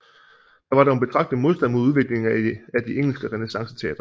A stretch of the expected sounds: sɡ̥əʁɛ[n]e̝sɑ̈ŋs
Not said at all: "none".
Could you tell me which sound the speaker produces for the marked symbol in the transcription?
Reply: n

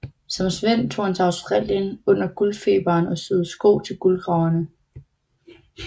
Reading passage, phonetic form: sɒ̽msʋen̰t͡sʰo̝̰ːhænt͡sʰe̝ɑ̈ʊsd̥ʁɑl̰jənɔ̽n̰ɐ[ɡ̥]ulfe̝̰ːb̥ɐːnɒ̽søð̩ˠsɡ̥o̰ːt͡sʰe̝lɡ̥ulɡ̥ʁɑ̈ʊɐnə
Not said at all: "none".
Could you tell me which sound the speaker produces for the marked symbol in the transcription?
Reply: ɡ̥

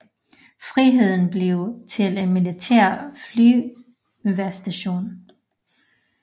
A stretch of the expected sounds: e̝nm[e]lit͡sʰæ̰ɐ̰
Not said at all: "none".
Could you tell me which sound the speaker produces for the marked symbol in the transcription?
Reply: i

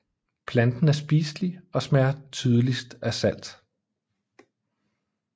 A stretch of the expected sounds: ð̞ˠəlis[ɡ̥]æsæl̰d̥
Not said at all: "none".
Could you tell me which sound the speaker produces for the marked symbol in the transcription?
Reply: d̥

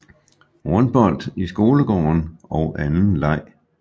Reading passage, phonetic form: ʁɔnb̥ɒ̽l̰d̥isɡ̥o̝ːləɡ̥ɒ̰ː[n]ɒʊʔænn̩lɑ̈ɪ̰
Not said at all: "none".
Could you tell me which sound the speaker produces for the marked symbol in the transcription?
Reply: n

